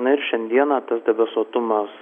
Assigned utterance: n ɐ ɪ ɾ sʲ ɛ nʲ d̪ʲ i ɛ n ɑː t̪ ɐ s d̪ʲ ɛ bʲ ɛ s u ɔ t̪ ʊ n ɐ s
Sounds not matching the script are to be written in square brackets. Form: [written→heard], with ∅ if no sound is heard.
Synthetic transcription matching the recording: n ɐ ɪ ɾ [sʲ→ʃʲ] ɛ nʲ d̪ʲ i ɛ n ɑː t̪ ɐ s d̪ʲ ɛ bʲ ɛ s u ɔ t̪ ʊ [n→m] ɐ s